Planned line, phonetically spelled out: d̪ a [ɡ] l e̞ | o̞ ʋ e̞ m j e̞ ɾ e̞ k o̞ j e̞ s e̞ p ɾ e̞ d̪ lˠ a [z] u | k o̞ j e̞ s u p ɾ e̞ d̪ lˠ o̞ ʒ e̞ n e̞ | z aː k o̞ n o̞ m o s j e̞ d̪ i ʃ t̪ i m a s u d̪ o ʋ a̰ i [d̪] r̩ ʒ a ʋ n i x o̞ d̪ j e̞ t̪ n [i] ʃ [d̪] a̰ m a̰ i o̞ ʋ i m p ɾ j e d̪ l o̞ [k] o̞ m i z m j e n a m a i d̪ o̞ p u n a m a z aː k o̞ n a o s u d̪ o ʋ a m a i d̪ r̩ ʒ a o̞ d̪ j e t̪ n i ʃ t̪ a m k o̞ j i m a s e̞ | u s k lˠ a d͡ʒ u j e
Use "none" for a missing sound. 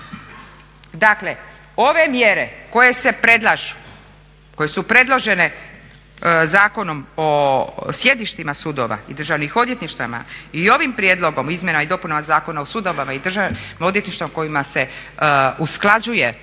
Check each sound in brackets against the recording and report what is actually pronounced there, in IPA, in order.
k, ʒ, d̪, i, t̪, ɡ

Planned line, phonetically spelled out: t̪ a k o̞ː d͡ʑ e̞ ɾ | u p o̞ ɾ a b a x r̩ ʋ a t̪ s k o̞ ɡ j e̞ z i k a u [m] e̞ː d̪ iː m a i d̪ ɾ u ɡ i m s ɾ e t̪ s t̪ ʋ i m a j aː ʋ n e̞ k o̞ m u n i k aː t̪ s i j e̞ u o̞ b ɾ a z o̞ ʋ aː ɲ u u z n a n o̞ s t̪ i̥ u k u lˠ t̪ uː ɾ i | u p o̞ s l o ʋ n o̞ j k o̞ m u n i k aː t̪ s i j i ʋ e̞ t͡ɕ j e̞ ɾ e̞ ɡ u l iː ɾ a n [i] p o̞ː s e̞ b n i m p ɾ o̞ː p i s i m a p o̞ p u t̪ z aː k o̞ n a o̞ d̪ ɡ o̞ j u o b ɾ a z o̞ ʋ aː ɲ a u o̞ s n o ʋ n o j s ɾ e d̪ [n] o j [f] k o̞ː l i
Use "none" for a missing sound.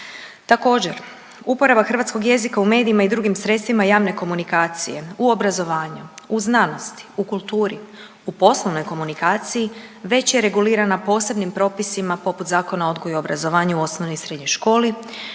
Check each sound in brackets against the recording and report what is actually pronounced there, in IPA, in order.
m, a, ɲ, ʃ

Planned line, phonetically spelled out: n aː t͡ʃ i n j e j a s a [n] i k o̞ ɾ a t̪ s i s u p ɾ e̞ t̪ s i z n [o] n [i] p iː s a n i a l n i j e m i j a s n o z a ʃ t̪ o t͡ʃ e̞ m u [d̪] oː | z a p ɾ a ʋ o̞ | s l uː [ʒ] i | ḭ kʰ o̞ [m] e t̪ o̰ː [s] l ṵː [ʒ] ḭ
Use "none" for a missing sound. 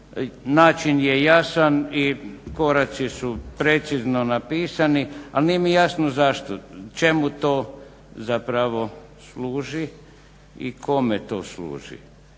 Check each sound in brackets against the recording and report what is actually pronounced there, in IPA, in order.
n, o, a, t̪, ʒ, m, s, ʒ

